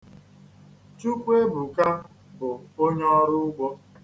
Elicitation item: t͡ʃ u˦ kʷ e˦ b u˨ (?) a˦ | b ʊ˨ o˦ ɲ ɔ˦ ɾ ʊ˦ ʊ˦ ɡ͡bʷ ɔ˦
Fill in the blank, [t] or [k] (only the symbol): k